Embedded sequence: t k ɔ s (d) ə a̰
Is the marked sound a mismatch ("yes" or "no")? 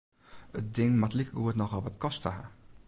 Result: yes